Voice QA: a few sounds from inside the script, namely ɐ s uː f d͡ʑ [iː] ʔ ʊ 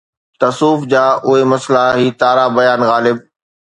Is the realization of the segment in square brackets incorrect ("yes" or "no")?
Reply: yes